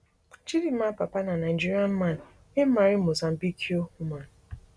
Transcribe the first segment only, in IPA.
t͡ʃ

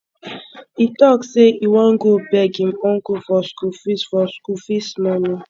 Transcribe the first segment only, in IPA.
i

